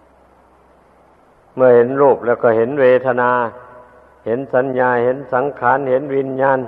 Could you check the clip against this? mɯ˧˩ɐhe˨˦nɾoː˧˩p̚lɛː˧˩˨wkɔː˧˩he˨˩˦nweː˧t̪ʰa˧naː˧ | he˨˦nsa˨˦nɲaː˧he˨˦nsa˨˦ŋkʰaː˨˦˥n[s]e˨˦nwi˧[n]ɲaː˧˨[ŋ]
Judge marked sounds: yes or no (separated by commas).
no, yes, no